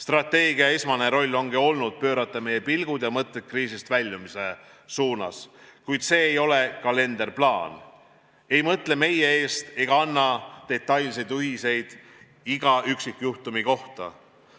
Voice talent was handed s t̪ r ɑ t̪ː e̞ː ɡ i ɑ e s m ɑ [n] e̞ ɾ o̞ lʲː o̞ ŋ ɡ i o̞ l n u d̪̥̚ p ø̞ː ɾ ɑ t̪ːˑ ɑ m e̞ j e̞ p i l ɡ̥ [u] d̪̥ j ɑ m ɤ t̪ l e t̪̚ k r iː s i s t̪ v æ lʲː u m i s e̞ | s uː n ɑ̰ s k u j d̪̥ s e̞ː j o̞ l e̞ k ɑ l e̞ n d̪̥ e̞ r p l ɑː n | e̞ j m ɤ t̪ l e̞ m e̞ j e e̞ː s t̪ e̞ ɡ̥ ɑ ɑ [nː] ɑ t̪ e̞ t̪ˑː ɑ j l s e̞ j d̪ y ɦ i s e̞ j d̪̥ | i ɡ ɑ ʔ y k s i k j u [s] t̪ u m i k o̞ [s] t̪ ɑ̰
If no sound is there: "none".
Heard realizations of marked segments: n, u, nː, h, h

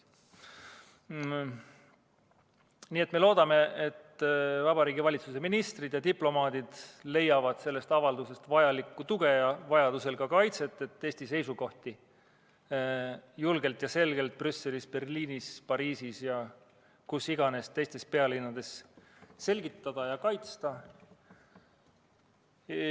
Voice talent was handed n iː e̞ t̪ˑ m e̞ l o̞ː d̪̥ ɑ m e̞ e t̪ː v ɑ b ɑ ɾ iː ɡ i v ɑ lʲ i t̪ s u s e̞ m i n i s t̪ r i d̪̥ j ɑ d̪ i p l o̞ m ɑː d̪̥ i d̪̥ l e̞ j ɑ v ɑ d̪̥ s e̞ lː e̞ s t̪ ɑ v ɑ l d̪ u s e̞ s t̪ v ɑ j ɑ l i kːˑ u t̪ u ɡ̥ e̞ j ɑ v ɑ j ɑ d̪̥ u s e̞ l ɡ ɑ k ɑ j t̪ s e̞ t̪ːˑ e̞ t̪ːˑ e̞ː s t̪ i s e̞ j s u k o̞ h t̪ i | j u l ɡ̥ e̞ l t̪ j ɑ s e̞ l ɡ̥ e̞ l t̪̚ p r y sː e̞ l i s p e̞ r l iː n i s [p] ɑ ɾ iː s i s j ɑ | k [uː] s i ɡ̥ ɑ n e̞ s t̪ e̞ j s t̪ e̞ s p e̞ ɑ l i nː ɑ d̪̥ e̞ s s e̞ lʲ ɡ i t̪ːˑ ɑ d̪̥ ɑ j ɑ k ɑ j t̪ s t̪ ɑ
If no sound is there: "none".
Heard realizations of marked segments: p, u

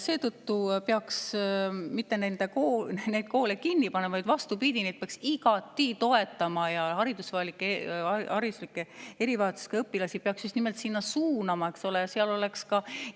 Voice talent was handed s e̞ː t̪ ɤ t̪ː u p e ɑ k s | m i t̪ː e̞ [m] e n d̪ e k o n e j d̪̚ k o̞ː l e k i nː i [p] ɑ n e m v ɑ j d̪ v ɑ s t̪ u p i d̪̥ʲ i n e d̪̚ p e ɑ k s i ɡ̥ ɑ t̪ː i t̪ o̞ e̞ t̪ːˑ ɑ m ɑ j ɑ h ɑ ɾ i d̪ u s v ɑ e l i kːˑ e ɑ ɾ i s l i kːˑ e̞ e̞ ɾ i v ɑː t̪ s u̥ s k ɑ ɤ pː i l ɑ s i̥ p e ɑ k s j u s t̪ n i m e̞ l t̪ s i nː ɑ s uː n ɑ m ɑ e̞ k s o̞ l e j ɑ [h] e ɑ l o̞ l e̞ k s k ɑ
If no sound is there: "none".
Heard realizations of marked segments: n, p, s

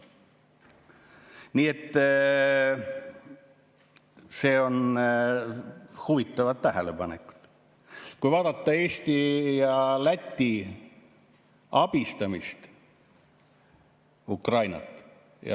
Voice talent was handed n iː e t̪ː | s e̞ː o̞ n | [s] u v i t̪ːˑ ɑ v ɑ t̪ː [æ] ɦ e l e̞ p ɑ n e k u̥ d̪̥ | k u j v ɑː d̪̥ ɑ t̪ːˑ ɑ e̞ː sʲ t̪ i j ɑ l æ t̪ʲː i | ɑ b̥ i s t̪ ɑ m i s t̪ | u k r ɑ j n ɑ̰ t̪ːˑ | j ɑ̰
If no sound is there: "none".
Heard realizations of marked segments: h, æ

